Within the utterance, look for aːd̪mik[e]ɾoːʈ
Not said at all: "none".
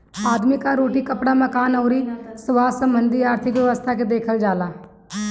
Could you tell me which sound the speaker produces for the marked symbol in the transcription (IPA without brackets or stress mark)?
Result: a